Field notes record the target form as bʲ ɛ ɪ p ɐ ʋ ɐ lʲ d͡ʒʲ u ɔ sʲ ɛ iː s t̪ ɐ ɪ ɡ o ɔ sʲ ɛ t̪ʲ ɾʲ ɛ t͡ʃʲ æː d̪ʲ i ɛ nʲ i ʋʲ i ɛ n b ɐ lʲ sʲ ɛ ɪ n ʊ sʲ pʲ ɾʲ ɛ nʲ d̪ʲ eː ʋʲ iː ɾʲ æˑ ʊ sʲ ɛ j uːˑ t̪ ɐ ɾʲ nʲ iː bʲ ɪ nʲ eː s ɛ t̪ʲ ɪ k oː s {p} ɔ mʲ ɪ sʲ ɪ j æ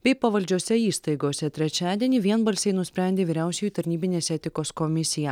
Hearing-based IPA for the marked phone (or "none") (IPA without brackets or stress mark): k